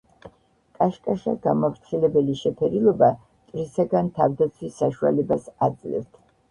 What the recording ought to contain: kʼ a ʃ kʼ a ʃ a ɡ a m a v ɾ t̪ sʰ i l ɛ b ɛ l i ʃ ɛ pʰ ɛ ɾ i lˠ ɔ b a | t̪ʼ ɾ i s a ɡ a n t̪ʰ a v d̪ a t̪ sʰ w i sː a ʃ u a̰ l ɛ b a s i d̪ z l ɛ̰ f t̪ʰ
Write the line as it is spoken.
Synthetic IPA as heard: kʼ a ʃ kʼ a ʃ a ɡ a m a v ɾ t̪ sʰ i l ɛ b ɛ l i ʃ ɛ pʰ ɛ ɾ i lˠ ɔ b a | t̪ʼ ɾ i s a ɡ a n t̪ʰ a v d̪ a t̪ sʰ w i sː a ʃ u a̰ l ɛ b a s a d̪ z l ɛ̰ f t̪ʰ